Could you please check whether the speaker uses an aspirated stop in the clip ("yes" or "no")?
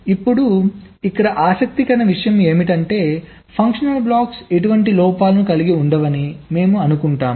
yes